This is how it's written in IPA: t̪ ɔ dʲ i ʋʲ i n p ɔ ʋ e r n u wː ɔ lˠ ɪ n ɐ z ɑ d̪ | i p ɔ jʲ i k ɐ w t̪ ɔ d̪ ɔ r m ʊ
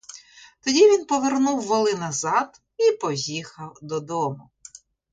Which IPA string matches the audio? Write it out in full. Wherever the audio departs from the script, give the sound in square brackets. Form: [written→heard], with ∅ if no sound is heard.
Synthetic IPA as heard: t̪ ɔ dʲ i ʋʲ i n p ɔ ʋ e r n u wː ɔ lˠ ɪ n ɐ z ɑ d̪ | i p ɔ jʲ i [k→x] ɐ w [t̪→d̪] ɔ d̪ ɔ [r→∅] m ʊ